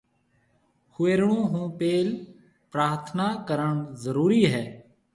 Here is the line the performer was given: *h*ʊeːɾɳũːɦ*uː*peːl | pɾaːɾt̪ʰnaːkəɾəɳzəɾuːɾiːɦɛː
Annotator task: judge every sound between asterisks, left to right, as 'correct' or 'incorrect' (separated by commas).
correct, incorrect